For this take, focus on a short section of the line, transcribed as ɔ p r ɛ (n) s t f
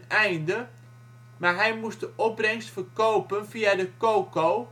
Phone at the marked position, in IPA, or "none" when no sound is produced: ŋ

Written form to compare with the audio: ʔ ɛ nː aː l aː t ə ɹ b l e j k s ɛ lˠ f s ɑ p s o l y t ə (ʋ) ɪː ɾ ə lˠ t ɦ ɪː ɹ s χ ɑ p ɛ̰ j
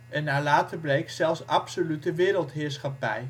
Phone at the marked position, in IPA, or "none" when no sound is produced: ʋ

